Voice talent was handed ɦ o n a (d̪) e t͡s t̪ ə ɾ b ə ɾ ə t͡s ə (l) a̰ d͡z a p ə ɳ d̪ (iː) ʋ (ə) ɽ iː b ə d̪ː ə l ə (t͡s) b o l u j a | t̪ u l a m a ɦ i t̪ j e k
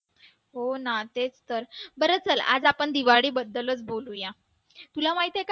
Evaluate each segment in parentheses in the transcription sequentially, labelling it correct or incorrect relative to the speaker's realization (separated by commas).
incorrect, correct, incorrect, incorrect, correct